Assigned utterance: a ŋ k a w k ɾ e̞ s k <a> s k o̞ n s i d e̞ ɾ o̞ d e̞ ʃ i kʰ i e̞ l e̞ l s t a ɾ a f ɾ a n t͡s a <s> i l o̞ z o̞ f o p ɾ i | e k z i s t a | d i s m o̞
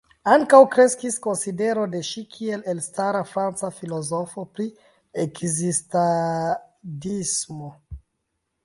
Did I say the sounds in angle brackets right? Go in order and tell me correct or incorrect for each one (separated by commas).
incorrect, incorrect